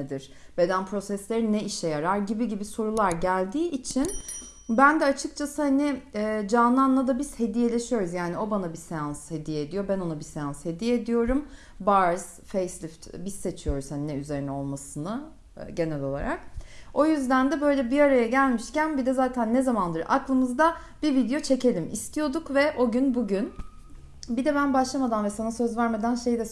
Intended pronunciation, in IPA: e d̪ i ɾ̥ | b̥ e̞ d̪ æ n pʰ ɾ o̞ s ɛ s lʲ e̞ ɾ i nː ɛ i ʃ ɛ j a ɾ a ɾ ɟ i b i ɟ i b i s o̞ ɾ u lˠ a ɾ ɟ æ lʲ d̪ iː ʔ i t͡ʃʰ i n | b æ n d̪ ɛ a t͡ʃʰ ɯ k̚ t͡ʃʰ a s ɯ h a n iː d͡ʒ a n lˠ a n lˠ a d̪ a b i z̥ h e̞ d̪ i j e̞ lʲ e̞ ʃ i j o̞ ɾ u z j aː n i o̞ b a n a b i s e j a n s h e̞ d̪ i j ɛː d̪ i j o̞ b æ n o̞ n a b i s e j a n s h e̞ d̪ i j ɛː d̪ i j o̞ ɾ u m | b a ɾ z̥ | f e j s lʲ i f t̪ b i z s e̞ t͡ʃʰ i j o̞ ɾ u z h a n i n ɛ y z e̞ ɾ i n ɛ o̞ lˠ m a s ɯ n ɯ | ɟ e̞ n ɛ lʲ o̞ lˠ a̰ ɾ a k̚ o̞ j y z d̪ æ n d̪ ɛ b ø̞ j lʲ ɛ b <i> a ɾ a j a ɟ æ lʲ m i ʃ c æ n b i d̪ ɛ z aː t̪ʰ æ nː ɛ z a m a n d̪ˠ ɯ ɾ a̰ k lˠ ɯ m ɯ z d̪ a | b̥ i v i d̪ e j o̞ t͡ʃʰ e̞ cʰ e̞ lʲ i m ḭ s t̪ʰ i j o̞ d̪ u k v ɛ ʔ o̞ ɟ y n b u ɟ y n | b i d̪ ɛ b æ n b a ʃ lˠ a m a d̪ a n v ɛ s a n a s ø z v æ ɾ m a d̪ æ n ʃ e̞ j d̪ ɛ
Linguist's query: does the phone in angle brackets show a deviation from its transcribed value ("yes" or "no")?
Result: no